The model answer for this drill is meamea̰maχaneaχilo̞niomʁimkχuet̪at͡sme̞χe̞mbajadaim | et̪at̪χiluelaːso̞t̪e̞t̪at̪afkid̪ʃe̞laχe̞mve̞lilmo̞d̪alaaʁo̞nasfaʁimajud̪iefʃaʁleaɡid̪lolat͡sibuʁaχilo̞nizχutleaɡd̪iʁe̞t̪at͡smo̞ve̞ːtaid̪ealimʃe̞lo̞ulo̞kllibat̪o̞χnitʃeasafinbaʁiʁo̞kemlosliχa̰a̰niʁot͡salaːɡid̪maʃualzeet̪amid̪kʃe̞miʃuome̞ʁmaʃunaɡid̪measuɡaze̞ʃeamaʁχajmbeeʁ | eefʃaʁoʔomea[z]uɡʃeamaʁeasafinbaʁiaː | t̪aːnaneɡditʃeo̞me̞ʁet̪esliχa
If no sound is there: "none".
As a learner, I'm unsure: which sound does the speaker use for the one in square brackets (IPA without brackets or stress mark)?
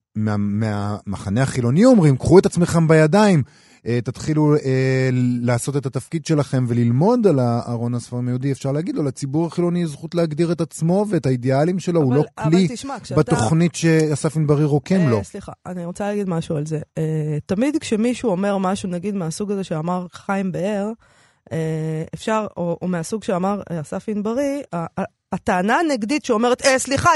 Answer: s